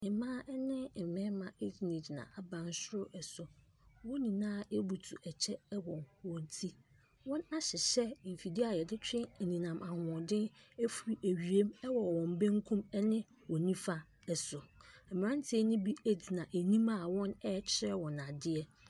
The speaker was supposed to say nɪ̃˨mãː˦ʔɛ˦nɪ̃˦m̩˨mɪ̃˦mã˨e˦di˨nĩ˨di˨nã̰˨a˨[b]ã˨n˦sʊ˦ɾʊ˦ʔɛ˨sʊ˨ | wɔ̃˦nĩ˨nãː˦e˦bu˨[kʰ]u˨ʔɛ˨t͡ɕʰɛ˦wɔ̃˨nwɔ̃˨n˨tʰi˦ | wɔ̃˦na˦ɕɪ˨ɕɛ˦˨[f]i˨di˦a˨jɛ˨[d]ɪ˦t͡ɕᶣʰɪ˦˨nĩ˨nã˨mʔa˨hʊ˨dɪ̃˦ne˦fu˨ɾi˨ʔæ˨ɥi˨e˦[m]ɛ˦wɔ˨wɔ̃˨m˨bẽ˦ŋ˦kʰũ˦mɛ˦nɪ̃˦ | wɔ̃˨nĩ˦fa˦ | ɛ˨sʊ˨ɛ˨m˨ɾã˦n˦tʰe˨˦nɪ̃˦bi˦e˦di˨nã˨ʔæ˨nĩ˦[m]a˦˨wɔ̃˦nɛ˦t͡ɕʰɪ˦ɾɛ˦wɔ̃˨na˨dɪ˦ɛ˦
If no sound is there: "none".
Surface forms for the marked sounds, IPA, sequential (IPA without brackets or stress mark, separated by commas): b, tʰ, f, d, m, m